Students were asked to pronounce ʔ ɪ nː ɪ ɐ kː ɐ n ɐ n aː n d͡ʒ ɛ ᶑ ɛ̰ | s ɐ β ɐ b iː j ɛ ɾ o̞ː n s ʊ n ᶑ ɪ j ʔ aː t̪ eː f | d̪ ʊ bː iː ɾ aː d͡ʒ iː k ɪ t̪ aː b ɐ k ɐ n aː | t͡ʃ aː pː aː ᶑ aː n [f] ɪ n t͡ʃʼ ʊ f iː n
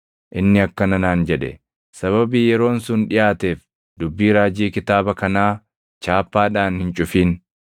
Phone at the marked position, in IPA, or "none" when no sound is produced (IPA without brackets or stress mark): h